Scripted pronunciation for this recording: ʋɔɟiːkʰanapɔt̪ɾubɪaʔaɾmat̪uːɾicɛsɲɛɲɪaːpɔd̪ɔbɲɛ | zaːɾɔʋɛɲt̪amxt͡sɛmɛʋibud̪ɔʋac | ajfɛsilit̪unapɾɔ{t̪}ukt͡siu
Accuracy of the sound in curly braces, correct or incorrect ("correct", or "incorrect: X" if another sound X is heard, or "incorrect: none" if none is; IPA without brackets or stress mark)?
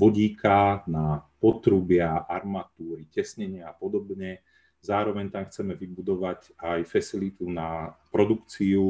incorrect: d̪